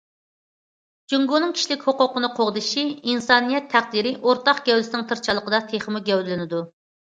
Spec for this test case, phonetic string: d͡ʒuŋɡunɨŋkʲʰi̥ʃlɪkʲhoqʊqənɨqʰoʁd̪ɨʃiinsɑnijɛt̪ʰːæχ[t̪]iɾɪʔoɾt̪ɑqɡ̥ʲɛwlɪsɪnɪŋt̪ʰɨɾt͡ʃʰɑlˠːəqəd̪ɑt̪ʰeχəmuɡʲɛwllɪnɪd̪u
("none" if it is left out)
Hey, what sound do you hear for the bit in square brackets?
d̪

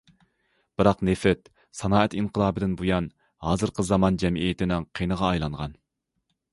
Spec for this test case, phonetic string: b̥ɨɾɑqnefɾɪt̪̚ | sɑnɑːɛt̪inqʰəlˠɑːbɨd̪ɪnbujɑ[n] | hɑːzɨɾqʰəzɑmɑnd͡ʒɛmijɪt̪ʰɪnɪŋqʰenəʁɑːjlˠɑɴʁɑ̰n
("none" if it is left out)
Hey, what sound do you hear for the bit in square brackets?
n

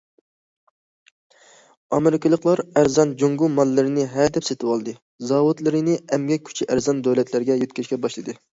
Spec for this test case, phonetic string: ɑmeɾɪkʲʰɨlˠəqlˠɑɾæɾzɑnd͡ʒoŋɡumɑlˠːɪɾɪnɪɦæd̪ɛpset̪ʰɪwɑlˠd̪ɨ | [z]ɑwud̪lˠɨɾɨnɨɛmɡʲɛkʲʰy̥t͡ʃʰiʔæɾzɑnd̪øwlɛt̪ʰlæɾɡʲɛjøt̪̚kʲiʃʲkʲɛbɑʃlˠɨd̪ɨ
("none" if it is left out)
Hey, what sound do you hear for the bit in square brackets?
z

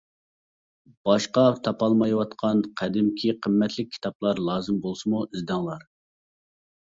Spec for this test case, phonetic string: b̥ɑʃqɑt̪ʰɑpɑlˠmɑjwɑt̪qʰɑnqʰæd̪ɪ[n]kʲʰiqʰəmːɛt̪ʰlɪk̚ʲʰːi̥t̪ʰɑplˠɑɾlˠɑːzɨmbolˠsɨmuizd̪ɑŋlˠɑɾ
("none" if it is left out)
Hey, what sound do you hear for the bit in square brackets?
m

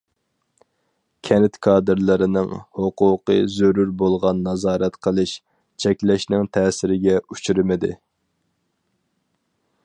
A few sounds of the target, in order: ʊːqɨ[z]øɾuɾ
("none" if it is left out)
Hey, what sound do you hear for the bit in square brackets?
z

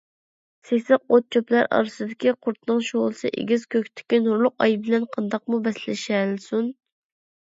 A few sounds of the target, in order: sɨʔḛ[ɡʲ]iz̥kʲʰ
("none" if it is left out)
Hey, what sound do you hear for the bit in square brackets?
ɡʲ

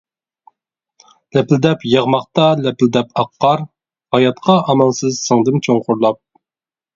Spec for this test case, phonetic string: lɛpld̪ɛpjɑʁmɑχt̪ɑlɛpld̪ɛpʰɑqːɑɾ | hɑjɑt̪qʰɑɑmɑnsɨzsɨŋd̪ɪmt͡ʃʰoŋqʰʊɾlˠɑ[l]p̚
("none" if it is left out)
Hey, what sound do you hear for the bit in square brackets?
none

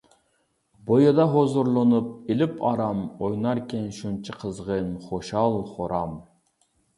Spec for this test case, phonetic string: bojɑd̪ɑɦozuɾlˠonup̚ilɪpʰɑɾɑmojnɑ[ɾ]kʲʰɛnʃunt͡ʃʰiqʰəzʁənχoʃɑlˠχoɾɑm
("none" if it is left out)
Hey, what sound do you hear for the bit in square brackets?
ɾ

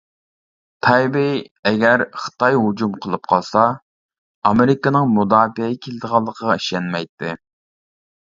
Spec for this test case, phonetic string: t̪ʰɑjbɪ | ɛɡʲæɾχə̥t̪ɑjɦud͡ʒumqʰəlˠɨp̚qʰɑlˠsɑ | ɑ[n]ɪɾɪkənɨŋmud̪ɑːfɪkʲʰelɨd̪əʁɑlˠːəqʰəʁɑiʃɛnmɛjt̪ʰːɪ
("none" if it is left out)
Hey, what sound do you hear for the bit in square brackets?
m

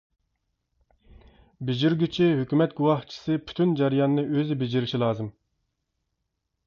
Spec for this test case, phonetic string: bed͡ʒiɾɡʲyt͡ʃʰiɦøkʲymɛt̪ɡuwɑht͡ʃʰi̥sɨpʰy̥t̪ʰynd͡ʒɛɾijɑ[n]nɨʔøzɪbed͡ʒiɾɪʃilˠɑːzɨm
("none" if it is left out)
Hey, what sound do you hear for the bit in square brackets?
n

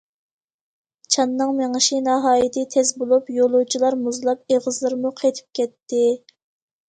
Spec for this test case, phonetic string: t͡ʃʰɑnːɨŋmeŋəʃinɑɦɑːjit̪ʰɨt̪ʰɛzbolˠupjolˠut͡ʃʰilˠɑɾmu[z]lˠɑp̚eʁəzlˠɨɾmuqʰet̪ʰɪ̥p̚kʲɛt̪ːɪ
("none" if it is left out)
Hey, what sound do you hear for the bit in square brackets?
z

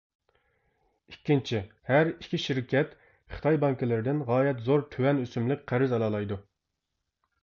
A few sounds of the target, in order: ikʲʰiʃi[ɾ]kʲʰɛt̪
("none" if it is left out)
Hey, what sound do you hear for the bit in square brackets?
ɾ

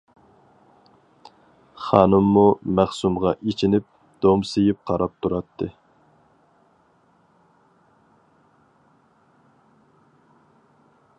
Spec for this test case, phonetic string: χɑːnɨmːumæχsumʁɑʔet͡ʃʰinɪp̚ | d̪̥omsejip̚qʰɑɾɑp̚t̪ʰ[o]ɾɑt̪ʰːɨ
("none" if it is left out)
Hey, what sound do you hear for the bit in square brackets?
u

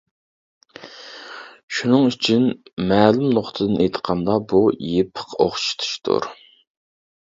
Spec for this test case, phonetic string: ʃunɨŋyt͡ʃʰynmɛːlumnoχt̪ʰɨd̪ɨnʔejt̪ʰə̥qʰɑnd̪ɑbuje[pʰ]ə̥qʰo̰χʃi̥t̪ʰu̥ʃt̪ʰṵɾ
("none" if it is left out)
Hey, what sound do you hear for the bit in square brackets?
pʰ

